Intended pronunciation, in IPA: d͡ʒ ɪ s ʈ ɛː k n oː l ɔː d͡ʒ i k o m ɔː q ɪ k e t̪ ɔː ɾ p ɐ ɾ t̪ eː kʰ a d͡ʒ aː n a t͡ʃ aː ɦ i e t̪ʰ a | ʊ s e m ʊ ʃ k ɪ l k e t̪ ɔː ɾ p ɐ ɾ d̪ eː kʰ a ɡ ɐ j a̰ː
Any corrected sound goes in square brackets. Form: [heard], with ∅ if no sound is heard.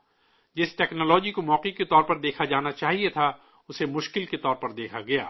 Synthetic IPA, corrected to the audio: d͡ʒ ɪ s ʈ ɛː k n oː l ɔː d͡ʒ i k o m ɔː q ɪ k e t̪ ɔː ɾ p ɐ ɾ [d̪] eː kʰ a d͡ʒ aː n a t͡ʃ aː ɦ i e t̪ʰ a | ʊ s e m ʊ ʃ k ɪ l k e t̪ ɔː ɾ p ɐ ɾ d̪ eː kʰ a ɡ ɐ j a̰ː